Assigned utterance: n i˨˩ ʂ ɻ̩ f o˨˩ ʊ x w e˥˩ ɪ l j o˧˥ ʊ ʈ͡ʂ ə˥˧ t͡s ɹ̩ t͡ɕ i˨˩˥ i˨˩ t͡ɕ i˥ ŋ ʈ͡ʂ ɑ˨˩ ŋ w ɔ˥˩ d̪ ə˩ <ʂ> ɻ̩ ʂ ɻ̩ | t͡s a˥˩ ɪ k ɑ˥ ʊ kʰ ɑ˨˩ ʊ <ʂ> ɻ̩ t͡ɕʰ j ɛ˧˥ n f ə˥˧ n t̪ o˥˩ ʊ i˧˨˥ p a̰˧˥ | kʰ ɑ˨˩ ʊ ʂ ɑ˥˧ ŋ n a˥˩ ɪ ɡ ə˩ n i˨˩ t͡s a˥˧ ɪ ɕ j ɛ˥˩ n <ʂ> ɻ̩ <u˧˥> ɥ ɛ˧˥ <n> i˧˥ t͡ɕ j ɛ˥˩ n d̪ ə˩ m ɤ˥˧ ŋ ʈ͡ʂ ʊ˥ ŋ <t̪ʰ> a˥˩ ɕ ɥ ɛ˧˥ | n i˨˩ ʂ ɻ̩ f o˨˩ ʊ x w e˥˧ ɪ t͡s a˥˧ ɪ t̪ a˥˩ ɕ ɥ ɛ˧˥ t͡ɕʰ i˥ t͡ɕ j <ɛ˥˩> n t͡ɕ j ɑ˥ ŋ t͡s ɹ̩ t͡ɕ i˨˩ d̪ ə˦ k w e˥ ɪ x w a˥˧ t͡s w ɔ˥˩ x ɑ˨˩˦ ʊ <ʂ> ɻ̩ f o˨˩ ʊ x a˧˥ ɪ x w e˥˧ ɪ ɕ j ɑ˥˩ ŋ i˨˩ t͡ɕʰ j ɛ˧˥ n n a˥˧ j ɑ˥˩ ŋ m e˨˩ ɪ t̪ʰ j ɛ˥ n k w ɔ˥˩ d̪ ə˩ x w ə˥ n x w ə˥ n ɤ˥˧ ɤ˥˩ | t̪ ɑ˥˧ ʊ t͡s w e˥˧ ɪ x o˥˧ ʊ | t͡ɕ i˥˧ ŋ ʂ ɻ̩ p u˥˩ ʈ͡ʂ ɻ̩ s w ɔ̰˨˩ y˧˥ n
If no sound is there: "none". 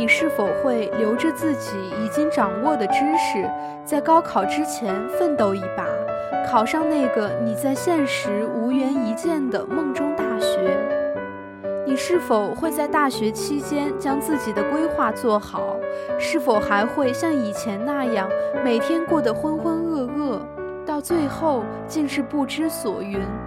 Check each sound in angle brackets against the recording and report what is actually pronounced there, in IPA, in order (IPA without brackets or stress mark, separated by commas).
ʈ͡ʂ, ʈ͡ʂ, ʂ, u˧˥, n, t̪, ɛ˥, ʂ